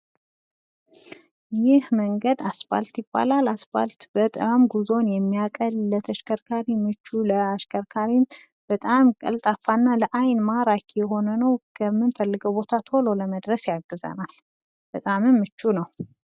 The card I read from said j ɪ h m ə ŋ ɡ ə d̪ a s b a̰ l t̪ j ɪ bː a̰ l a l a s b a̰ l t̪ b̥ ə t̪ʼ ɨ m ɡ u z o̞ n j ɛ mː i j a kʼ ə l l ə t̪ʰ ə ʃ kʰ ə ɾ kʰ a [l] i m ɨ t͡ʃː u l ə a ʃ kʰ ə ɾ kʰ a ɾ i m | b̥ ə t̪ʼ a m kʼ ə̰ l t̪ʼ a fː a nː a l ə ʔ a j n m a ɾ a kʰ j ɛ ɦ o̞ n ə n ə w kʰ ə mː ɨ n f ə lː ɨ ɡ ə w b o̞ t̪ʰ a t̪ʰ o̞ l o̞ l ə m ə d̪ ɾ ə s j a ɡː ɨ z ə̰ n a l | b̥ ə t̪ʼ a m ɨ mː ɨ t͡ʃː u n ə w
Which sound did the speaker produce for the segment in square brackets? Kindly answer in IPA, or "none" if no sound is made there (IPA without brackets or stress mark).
ɾ